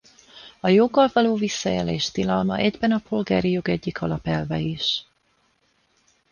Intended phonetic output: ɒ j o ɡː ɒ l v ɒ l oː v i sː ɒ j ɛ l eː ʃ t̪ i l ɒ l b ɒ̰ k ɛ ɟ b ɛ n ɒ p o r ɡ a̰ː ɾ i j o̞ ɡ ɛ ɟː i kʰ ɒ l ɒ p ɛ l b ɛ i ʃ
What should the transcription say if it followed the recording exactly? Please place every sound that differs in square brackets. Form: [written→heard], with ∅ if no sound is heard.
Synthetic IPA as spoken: ɒ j o ɡː ɒ l v ɒ l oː v i sː ɒ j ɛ l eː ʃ t̪ i l ɒ l [b→m] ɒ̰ [k→ʔ] ɛ ɟ b ɛ n ɒ p o [r→l] ɡ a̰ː ɾ i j o̞ ɡ ɛ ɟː i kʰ ɒ l ɒ p ɛ l [b→v] ɛ i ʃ